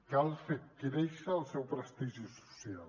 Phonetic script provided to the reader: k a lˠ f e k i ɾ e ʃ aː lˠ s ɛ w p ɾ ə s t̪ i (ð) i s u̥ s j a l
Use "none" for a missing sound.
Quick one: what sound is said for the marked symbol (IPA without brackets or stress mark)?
ʒ